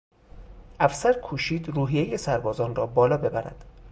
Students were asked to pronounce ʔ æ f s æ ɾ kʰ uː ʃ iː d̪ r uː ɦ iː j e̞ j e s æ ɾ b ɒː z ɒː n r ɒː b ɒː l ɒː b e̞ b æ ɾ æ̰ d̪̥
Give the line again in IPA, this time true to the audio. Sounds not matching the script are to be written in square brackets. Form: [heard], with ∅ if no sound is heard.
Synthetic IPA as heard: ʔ æ f s æ ɾ kʰ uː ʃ iː d̪ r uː ɦ [i] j e̞ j e s æ ɾ b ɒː z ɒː n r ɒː b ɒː l ɒː b e̞ b æ ɾ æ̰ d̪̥

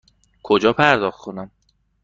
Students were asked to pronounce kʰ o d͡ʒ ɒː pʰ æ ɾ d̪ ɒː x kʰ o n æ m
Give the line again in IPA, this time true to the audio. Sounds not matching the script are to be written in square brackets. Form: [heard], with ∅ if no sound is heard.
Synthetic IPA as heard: kʰ o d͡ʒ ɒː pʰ æ ɾ d̪ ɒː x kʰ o n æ m

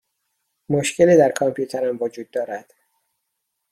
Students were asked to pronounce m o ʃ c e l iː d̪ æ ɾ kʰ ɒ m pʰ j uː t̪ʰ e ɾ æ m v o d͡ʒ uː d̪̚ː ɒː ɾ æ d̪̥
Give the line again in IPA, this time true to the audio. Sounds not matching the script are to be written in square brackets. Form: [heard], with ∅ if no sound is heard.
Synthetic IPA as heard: m o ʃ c e l iː d̪ æ ɾ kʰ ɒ m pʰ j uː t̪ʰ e ɾ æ m v o d͡ʒ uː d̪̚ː ɒː ɾ æ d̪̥

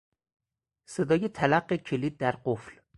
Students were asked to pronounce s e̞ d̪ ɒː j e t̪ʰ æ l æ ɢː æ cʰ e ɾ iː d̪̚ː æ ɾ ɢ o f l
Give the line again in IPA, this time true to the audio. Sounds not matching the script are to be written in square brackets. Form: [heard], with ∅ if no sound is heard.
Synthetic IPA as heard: s e̞ d̪ ɒː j e t̪ʰ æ l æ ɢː [e] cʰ e [l] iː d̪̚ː æ ɾ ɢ o f l

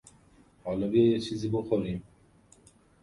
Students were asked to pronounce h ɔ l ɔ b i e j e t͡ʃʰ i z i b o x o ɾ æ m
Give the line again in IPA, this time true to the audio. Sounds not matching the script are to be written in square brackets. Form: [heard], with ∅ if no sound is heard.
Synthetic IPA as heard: h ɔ l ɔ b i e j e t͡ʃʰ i z i b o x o ɾ [i] m

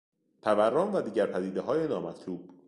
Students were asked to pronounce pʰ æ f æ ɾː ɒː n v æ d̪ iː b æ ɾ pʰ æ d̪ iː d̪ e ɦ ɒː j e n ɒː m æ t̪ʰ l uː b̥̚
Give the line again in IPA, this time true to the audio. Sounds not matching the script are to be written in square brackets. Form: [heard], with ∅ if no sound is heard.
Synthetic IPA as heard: pʰ æ [v] æ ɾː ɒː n v æ d̪ iː [ɟ] æ ɾ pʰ æ d̪ iː d̪ e ɦ ɒː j e n ɒː m æ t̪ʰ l uː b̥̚

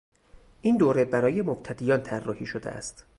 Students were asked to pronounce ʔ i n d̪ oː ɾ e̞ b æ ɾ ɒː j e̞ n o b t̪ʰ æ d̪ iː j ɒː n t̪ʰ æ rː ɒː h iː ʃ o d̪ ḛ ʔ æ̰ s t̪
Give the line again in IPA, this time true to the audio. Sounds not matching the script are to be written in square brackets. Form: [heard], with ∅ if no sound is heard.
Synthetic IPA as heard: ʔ i n d̪ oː ɾ e̞ b æ ɾ ɒː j e̞ [m] o b t̪ʰ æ d̪ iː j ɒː n t̪ʰ æ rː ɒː h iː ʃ o d̪ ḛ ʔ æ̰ s t̪

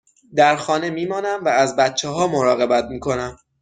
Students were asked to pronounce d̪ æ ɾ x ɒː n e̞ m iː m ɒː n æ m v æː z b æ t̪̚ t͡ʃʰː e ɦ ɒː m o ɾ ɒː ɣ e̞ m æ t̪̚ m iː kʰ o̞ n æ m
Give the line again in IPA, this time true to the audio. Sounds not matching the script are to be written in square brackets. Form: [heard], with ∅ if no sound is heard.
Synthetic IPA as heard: d̪ æ ɾ x ɒː n e̞ m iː m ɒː n æ m v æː z b æ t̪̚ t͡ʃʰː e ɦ ɒː m o ɾ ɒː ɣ e̞ [b] æ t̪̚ m iː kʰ o̞ n æ m

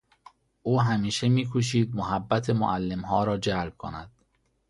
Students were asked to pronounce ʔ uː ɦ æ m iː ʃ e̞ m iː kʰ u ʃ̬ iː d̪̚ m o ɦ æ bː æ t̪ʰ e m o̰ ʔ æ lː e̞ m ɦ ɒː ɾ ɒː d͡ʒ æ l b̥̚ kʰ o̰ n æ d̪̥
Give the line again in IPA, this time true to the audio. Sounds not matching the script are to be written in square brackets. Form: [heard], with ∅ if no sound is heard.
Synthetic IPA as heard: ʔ uː ɦ æ m iː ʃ e̞ m iː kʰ u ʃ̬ iː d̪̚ m o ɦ æ bː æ t̪ʰ e m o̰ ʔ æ lː e̞ m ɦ ɒː ɾ ɒː d͡ʒ æ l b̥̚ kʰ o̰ n æ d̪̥

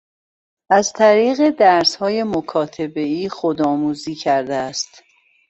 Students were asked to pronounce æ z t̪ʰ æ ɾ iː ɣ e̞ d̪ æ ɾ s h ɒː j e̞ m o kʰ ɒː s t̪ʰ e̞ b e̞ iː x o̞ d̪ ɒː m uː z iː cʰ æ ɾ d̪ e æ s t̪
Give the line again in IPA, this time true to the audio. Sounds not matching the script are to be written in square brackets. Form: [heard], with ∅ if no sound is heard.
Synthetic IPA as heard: æ z t̪ʰ æ ɾ iː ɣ e̞ d̪ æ ɾ s h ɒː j e̞ m o kʰ ɒː [∅] t̪ʰ e̞ b e̞ iː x o̞ d̪ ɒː m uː z iː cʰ æ ɾ d̪ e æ s t̪

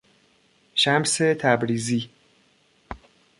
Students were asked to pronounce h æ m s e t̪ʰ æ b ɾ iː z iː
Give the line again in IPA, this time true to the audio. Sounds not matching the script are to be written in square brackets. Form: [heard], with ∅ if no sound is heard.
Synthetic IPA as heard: [ʃ] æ m s e t̪ʰ æ b ɾ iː z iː

